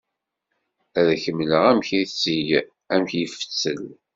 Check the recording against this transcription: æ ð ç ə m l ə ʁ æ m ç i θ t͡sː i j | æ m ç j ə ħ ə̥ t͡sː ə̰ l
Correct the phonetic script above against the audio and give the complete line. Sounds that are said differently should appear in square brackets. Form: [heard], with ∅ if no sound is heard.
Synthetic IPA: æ ð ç ə m l ə ʁ æ m ç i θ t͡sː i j | æ m ç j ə [f] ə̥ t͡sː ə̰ l